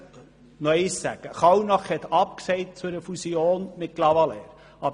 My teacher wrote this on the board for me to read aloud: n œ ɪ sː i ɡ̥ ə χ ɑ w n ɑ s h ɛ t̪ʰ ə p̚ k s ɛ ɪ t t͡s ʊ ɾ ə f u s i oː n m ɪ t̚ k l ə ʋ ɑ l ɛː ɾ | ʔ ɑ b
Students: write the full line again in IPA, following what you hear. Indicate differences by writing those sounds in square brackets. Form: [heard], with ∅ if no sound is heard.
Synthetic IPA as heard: n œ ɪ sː [æ] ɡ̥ ə χ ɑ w n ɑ [χ] h ɛ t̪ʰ [ɑ] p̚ k s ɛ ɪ t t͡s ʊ ɾ ə f u s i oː n m ɪ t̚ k l [ɑ] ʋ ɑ l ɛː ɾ | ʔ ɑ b